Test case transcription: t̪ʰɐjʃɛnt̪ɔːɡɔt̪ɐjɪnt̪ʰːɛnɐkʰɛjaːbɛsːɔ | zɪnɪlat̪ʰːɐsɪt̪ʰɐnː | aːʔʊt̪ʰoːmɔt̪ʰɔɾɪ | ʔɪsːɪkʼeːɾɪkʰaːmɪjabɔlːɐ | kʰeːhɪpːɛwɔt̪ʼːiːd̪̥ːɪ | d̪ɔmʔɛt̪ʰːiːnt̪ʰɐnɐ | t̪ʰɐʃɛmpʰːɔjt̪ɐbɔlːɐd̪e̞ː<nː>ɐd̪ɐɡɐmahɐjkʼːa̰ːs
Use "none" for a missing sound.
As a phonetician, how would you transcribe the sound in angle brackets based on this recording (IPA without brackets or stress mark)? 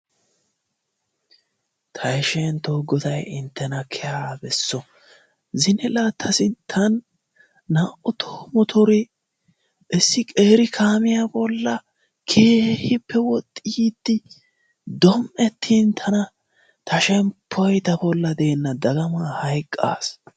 nː